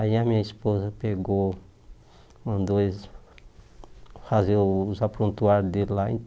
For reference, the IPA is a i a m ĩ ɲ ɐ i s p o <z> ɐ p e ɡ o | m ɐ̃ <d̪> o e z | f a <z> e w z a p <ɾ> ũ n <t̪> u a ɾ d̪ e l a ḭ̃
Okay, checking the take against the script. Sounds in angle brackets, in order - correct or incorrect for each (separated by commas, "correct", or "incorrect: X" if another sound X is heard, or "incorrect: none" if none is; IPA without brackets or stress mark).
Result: correct, correct, correct, correct, correct